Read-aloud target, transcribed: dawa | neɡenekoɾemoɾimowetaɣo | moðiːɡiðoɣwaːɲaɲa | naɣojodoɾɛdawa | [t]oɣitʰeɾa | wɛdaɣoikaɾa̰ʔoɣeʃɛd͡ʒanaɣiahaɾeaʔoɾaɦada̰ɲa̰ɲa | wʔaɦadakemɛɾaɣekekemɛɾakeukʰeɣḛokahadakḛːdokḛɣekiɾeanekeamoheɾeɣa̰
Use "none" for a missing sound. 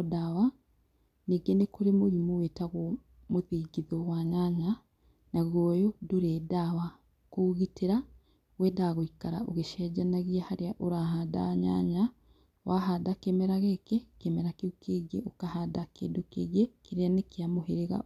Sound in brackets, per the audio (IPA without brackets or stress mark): k